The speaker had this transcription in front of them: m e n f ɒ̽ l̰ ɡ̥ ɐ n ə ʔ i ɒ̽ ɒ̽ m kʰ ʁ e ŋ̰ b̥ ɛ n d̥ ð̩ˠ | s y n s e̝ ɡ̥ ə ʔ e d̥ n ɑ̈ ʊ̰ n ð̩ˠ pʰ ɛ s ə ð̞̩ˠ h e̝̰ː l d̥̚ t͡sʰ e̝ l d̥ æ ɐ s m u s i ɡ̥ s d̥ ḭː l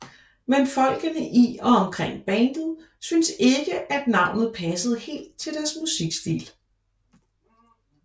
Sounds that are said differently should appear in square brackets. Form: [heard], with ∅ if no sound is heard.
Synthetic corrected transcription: m e n f ɒ̽ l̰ ɡ̥ [ə] n ə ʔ i ɒ̽ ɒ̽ m kʰ ʁ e ŋ̰ b̥ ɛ n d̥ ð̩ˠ | s y n s e̝ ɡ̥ ə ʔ [æ] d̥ n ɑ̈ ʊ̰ n ð̩ˠ pʰ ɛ s ə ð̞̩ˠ h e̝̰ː l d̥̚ t͡sʰ e̝ l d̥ æ ɐ s m u s i ɡ̥ s d̥ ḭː l